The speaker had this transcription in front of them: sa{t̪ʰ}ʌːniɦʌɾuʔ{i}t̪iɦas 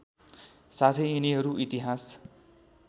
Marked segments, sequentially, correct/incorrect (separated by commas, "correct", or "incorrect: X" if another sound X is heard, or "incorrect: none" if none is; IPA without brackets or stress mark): correct, correct